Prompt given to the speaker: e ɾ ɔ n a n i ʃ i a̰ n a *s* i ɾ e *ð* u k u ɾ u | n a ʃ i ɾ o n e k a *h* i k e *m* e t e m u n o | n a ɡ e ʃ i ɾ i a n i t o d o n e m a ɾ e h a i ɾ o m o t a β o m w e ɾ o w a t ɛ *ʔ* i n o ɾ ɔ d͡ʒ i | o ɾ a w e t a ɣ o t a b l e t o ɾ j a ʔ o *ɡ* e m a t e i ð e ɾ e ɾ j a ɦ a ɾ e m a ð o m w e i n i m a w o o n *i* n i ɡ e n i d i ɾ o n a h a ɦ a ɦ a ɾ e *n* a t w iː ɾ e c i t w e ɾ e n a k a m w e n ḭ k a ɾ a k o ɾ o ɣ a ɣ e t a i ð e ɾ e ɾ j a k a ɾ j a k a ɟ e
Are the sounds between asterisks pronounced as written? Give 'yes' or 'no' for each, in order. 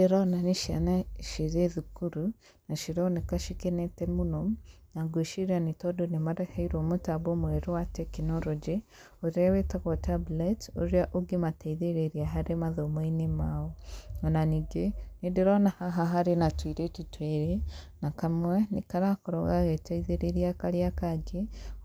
no, yes, no, no, no, yes, no, yes

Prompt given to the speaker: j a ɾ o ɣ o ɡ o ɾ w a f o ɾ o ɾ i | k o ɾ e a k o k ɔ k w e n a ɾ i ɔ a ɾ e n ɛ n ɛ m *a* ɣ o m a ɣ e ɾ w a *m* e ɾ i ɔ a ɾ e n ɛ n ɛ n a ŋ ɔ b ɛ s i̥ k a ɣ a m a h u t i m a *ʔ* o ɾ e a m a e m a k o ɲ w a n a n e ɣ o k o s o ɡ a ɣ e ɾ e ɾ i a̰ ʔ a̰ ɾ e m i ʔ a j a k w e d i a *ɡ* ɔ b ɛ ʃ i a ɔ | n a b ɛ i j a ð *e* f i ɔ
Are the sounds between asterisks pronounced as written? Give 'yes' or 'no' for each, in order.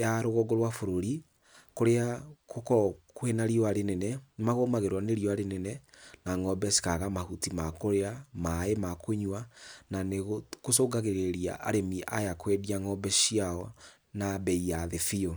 yes, no, no, no, yes

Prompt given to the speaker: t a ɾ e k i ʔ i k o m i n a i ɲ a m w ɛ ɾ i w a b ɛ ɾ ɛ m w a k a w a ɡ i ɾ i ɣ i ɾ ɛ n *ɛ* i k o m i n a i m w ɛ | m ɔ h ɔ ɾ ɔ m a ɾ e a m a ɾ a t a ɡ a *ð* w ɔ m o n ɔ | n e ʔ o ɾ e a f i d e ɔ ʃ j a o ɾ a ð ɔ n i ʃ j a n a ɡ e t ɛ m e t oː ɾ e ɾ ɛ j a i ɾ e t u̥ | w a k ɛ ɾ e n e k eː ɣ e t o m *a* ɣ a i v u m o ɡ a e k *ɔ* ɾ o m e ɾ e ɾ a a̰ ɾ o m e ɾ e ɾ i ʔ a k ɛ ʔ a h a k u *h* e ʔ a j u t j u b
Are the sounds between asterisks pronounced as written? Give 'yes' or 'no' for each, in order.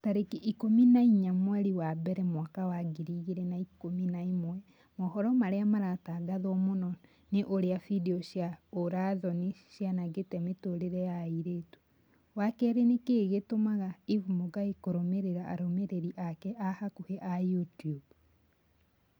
no, yes, yes, no, yes

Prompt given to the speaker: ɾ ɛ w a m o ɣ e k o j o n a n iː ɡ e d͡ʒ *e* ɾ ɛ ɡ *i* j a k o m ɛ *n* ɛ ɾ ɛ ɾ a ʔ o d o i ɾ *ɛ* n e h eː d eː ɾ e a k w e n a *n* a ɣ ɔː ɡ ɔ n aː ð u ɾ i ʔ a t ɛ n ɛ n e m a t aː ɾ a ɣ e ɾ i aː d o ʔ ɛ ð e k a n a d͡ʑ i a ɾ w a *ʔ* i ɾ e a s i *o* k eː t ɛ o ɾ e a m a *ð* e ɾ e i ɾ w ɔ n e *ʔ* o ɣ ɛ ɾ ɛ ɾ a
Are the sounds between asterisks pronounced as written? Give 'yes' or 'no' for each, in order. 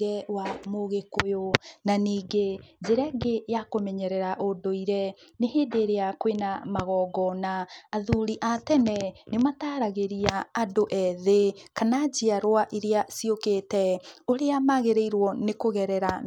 yes, no, no, yes, no, yes, yes, no, no

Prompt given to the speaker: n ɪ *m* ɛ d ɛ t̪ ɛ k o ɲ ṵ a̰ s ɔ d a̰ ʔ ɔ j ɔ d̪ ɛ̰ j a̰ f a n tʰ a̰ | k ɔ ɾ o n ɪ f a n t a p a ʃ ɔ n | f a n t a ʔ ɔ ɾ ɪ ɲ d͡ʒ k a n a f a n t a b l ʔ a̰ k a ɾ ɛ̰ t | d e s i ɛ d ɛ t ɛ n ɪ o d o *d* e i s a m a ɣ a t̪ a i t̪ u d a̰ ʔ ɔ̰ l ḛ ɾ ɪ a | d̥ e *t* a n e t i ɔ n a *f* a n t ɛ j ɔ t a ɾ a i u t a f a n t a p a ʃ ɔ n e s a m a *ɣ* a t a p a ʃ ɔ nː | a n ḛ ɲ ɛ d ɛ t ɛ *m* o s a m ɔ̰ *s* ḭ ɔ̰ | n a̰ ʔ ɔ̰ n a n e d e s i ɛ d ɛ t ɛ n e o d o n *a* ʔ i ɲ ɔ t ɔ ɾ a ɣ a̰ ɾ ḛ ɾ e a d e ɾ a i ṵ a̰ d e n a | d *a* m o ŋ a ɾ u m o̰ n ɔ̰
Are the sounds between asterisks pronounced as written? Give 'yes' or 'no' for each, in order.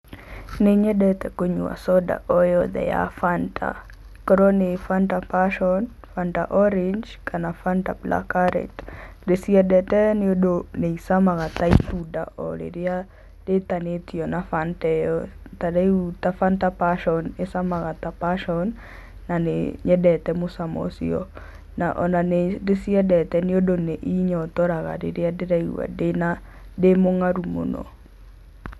no, no, yes, yes, yes, yes, yes, no, no

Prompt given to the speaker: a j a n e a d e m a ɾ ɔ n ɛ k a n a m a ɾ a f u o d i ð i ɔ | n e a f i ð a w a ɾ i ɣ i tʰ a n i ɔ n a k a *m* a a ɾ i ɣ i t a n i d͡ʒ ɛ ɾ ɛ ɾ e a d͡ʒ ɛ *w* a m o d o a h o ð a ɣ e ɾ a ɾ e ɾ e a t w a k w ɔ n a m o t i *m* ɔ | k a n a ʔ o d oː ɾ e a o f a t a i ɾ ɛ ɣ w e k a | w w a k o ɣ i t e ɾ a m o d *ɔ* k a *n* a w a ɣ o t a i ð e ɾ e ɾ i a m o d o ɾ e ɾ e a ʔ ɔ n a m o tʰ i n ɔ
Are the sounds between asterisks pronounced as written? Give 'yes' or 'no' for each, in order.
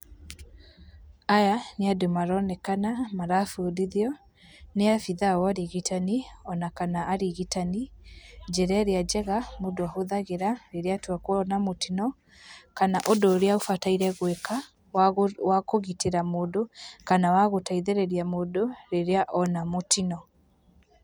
no, no, no, no, yes

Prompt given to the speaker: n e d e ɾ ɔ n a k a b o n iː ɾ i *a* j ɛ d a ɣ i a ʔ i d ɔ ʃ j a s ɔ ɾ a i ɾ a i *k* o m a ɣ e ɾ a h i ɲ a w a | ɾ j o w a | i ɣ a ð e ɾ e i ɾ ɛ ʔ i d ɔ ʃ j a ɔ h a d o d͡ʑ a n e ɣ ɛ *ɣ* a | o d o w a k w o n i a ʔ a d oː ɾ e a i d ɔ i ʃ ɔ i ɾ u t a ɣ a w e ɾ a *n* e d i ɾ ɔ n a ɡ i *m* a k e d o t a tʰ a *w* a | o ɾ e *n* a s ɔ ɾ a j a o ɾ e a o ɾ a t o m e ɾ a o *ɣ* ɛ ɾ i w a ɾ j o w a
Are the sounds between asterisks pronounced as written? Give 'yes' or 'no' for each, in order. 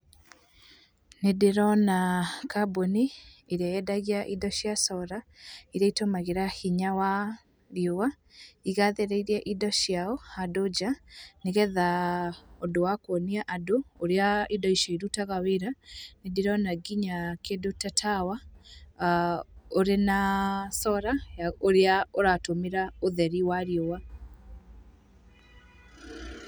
yes, no, no, yes, no, yes, yes, no

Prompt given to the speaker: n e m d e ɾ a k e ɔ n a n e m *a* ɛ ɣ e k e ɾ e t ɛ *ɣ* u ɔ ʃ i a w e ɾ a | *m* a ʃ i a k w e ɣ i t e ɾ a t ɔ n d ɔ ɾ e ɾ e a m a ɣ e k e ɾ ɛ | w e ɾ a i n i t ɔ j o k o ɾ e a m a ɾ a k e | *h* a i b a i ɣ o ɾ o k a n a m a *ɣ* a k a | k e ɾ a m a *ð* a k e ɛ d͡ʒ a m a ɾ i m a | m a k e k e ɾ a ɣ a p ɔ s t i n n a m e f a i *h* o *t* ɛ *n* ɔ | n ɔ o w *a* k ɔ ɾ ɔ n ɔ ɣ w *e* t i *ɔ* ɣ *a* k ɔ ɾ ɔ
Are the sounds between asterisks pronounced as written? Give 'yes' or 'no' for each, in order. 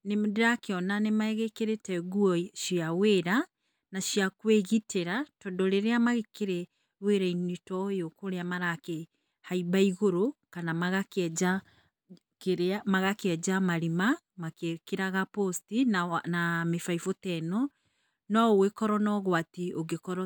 yes, yes, no, yes, yes, no, no, yes, yes, no, no, no, no

